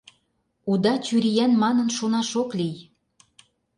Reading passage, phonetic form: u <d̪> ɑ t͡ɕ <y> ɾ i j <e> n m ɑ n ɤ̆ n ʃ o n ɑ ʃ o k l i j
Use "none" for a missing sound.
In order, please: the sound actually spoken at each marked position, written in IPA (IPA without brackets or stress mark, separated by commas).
d̪, y, æ